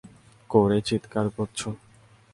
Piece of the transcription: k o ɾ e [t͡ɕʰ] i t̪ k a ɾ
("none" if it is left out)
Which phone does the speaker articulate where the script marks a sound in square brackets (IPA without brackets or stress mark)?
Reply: t͡ɕ